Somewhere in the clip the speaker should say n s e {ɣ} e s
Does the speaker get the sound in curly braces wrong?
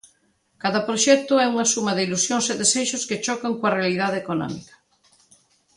yes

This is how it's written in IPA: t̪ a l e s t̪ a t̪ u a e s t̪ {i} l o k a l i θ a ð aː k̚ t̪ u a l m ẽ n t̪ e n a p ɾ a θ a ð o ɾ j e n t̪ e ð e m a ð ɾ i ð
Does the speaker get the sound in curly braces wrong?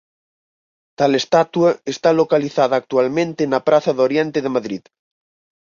yes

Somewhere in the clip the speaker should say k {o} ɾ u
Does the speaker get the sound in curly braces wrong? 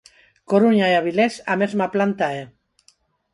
no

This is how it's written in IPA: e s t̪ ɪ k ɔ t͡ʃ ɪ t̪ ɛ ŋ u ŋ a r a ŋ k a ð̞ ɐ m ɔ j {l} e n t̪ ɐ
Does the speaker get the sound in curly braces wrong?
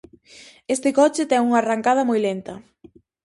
no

